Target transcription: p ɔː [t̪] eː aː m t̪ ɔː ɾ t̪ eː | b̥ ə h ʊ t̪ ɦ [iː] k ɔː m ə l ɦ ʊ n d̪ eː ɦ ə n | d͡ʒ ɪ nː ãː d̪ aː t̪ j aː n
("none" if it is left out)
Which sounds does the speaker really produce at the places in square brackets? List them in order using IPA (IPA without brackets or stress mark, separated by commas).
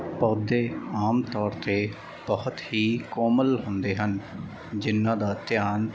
d̪, iː